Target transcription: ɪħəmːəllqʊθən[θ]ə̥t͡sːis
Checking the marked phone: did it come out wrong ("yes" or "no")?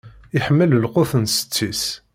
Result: yes